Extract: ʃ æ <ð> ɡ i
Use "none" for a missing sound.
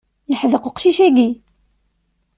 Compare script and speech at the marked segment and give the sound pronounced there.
none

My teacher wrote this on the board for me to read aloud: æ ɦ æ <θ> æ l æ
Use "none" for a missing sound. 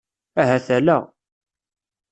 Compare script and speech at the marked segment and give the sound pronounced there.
θ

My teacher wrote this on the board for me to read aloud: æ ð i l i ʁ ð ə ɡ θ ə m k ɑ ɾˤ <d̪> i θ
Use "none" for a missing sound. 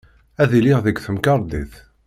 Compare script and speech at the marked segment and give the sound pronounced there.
d̪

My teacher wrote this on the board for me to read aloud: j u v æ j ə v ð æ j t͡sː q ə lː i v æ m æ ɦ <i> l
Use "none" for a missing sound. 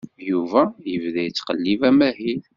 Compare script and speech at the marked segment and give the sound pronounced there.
i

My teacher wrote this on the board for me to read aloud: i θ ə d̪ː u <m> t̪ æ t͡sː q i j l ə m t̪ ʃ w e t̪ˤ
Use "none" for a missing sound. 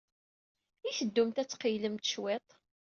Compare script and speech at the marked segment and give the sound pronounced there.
m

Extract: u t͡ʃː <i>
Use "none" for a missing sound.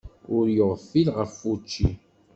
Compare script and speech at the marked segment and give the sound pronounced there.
i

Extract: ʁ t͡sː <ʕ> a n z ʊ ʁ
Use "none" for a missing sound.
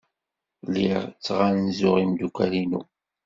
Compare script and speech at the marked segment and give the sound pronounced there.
ʁ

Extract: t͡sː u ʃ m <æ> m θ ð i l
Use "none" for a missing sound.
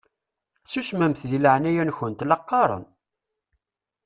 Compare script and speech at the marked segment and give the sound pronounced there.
æ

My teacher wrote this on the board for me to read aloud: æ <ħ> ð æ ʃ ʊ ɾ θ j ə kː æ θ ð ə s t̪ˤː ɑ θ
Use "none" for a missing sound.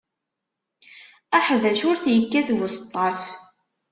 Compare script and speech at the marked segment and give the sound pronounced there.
ħ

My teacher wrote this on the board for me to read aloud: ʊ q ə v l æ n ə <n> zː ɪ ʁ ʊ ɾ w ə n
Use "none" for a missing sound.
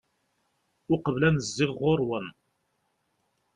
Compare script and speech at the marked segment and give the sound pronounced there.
none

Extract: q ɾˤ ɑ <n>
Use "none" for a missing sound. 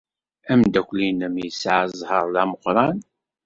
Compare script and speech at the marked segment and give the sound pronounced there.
n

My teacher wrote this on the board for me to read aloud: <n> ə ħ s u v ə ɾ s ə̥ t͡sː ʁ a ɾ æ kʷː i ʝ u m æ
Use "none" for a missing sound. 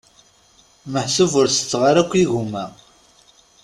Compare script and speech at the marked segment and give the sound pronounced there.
m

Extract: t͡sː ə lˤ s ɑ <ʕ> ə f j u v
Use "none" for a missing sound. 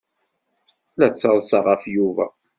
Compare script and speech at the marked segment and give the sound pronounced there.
ʁ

